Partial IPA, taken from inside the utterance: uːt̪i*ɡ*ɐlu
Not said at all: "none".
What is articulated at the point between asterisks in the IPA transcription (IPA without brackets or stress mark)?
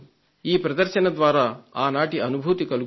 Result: k